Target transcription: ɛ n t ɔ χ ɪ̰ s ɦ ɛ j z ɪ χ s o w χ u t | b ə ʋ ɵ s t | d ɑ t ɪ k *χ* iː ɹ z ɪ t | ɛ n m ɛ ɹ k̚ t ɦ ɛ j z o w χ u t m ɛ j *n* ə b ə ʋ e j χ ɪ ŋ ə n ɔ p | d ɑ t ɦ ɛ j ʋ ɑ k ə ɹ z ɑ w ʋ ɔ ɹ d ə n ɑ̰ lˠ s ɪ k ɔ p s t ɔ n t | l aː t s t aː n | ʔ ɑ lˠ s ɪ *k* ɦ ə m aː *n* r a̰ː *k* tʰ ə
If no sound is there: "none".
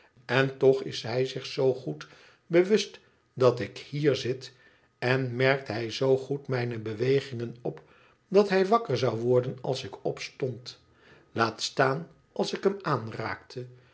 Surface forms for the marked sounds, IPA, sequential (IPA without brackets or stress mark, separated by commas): h, n, k, n, k